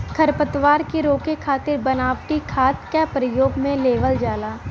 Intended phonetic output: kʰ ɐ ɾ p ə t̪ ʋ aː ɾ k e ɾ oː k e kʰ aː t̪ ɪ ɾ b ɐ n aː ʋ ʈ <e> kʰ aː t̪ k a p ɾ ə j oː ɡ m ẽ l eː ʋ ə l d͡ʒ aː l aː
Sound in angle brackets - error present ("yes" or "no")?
yes